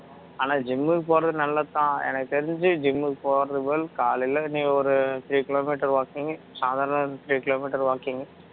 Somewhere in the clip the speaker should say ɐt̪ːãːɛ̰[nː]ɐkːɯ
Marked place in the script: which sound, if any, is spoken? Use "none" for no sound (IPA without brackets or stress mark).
n